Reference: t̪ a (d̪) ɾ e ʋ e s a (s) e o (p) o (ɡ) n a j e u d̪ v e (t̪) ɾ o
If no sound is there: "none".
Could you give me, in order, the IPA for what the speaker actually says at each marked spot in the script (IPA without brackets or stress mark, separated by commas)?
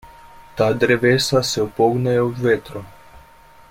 d̪, s, p, ɡ, t̪